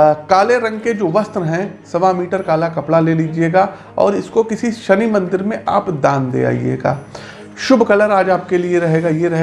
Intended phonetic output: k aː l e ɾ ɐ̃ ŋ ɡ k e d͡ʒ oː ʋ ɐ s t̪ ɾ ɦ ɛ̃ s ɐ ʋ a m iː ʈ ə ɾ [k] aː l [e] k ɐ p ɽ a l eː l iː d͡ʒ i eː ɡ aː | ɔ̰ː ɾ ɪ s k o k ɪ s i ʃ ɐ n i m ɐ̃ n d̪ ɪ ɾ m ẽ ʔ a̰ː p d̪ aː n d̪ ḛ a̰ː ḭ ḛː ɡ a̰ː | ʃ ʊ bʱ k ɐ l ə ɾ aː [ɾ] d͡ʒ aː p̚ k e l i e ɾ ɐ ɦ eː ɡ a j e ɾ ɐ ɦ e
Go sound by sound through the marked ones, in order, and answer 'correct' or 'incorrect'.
correct, incorrect: a, incorrect: none

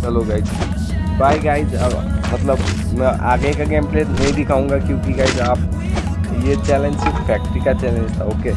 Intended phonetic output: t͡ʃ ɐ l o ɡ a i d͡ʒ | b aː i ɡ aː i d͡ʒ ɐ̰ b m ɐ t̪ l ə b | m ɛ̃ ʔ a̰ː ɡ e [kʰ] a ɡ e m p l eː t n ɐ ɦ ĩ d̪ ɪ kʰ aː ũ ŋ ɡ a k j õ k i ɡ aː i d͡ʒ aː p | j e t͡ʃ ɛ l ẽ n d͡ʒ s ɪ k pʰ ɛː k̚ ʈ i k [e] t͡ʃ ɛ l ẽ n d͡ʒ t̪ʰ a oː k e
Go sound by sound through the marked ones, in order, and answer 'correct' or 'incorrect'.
incorrect: k, incorrect: a

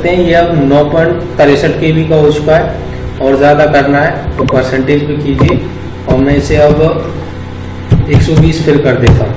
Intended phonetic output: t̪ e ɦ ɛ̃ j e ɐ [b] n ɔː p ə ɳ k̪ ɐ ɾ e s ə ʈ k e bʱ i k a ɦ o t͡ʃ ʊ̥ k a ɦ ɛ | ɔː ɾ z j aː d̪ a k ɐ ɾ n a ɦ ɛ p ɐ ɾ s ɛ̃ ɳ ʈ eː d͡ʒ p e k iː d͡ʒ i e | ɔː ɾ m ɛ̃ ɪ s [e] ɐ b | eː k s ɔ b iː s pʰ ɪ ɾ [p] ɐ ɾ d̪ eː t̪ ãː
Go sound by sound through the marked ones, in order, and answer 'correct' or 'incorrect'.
correct, correct, incorrect: k

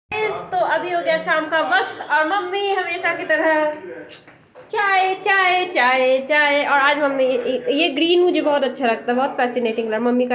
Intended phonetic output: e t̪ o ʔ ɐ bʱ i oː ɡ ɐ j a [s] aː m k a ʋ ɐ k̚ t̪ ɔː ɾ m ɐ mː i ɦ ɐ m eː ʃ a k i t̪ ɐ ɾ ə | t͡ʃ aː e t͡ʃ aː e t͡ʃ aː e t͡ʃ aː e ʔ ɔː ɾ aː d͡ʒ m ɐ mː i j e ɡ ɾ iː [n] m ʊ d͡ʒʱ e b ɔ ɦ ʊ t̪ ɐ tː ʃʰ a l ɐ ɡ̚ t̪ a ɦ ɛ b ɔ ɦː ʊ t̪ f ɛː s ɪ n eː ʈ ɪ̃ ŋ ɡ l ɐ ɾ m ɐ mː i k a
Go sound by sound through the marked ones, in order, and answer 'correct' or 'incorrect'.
incorrect: ʃ, correct

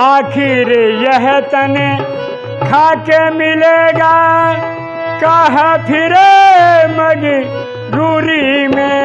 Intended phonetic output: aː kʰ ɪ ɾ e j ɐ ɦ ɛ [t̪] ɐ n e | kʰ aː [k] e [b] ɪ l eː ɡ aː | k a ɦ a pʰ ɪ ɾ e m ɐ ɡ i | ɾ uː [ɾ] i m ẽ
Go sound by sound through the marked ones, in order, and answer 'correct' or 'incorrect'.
correct, correct, incorrect: m, correct

